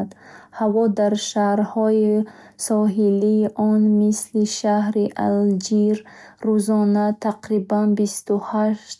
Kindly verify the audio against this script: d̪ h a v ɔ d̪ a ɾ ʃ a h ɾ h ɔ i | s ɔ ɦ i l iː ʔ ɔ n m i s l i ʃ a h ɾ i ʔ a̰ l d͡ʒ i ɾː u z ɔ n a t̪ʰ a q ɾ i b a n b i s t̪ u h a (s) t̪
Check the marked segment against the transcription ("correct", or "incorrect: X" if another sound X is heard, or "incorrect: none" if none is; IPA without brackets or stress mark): incorrect: ʃ